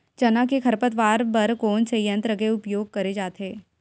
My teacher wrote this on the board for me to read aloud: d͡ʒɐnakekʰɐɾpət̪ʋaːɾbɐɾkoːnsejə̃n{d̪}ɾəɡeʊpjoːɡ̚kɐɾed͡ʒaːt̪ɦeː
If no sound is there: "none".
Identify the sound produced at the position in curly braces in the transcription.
t̪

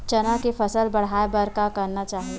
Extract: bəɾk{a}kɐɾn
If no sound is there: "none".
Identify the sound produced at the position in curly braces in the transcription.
a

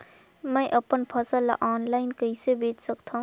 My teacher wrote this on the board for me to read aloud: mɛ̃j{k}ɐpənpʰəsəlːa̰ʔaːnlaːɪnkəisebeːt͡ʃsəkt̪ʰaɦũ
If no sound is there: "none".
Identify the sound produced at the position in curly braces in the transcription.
ʔ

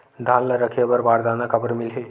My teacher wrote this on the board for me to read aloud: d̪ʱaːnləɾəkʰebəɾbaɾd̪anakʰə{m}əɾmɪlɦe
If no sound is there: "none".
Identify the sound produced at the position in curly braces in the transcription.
b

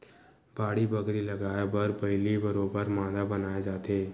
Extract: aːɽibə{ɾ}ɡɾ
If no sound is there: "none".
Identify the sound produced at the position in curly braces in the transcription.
none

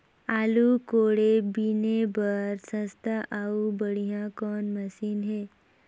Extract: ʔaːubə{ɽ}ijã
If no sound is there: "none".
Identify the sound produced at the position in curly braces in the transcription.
ɽ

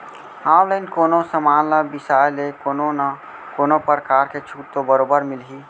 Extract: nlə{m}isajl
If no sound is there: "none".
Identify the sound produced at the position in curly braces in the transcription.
b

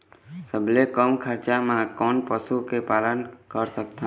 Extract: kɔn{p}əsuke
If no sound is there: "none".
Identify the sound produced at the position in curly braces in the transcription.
p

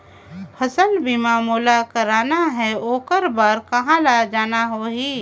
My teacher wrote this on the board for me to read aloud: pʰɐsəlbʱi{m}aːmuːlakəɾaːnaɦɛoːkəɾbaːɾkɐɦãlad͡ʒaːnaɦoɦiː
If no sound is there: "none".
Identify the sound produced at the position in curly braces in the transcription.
m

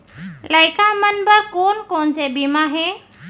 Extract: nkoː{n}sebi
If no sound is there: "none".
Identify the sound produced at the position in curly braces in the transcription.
n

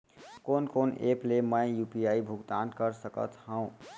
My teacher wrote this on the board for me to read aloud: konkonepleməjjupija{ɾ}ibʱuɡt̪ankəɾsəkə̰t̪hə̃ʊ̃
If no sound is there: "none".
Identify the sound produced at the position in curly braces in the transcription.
none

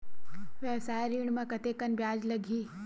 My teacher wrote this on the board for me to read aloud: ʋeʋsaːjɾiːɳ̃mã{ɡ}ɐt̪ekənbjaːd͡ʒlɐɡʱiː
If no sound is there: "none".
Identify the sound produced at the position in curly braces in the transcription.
k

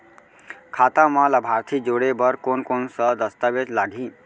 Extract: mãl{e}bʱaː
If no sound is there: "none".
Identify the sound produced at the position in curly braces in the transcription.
a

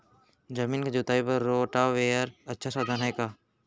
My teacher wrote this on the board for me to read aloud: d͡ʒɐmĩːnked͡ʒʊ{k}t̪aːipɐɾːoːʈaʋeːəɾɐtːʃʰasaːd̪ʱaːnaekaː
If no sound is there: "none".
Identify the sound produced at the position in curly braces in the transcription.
none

